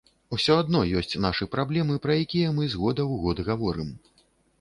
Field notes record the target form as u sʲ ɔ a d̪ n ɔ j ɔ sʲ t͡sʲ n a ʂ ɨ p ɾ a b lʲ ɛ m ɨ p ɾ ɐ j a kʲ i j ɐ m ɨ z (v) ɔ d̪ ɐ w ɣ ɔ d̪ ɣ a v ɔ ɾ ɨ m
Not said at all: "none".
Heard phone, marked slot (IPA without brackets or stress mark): ɣ